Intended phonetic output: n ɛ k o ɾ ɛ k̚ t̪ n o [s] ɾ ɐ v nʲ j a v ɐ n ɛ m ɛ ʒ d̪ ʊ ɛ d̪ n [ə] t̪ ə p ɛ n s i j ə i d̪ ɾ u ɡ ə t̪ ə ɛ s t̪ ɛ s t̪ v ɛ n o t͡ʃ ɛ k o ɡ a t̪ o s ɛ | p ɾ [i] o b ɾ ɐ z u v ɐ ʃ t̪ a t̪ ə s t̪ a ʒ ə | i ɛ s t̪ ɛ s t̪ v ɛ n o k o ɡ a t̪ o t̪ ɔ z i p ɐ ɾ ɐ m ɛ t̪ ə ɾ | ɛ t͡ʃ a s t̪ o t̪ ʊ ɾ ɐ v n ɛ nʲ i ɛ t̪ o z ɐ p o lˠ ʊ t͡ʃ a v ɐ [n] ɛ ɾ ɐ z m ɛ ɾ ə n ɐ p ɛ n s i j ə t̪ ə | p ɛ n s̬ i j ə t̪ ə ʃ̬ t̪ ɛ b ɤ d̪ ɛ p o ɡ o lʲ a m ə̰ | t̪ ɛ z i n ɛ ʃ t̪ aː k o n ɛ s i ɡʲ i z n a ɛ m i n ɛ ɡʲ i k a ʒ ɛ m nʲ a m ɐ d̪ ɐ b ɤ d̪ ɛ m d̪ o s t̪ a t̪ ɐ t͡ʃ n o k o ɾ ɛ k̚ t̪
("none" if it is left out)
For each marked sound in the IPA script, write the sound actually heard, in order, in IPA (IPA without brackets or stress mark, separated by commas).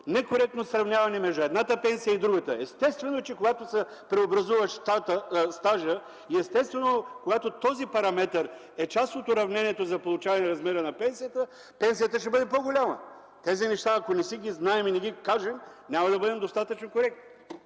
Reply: s, a, ɛ, n